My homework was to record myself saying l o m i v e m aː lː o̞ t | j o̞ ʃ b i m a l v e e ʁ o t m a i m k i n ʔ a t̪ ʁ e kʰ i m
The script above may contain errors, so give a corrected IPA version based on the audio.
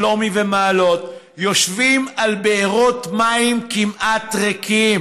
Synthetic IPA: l o m i v e m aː l o̞ t | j o̞ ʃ v i m a l b e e ʁ o t m a i m k i m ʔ a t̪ ʁ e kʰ i m

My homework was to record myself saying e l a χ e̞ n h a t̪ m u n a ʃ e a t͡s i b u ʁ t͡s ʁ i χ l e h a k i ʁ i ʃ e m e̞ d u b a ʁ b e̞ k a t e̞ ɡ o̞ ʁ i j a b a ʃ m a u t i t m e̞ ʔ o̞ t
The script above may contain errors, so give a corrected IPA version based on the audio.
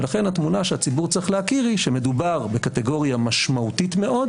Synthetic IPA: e l a χ e̞ n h a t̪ m u n a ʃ e a t͡s i b u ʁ t͡s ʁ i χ l e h a k i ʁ i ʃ e m e̞ d u b a ʁ b e̞ k a t e̞ ɡ o̞ ʁ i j a m a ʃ m a u t i t m e̞ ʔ o̞ d

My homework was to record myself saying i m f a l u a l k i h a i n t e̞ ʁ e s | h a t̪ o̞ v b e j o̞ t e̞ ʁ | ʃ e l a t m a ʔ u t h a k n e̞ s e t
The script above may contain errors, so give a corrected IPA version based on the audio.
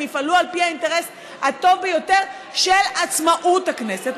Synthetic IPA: i f a l u a l p i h a i n t e̞ ʁ e s | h a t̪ o̞ v b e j o̞ t e̞ ʁ | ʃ e l a t͡s m a ʔ u t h a k n e̞ s e t

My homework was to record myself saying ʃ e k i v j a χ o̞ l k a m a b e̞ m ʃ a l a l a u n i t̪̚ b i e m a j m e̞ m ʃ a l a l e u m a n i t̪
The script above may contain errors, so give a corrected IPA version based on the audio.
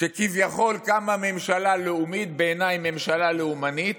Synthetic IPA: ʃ e k i v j a χ o̞ l k a m a m e̞ m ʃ a l a l e u m i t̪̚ b e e n a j m e̞ m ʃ a l a l e u m a n i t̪

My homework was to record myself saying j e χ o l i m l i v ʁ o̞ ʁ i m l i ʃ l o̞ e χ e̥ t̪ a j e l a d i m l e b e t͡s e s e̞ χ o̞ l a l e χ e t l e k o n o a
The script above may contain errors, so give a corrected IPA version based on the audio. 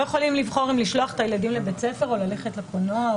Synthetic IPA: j e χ o l i m l i v χ o̞ ʁ i m l i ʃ l o̞ a χ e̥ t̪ a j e l a d i m l e b e t͡s e f e̞ ʁ o̞ l a l e χ e t l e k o n o a

